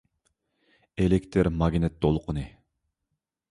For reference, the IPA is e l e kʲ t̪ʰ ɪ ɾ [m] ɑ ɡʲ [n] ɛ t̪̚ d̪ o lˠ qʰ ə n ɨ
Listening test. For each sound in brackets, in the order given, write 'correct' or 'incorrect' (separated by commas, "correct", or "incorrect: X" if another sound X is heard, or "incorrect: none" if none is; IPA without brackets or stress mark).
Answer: correct, correct